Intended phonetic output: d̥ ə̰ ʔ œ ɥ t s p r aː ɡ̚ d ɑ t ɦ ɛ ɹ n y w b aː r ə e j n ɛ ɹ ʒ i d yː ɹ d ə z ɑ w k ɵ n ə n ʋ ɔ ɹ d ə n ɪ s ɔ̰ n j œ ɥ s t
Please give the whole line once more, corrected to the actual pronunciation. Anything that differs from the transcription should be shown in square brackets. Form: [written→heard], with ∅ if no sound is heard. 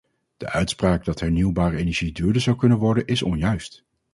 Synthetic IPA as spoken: d̥ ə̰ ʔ œ ɥ t s p r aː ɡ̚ d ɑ t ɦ ɛ ɹ n [y→i] w b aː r ə e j n ɛ ɹ ʒ i d yː ɹ d ə z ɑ w k ɵ n ə n ʋ ɔ ɹ d ə n ɪ s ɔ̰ n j œ ɥ s t